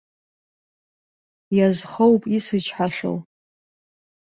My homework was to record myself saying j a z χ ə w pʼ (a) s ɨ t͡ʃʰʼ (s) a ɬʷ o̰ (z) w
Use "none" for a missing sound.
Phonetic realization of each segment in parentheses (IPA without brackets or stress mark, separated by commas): i, ħ, none